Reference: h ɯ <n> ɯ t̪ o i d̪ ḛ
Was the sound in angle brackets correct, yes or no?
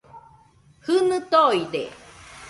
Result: yes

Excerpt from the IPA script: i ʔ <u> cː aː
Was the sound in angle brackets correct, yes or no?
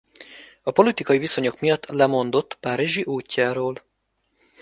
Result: no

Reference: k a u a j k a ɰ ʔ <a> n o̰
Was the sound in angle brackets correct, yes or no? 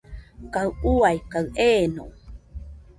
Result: no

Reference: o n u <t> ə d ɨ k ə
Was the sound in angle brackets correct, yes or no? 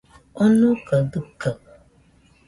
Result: no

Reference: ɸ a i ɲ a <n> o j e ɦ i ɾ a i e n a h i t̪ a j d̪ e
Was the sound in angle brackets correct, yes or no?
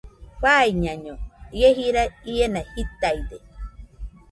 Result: no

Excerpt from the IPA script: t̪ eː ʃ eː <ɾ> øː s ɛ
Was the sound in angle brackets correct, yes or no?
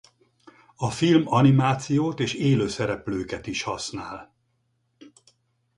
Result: no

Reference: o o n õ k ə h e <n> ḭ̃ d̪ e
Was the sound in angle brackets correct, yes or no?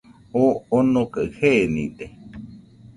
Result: yes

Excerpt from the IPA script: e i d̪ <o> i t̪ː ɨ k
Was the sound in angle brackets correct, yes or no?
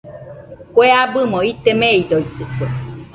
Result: yes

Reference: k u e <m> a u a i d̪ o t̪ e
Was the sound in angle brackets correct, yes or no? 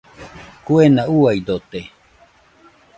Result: no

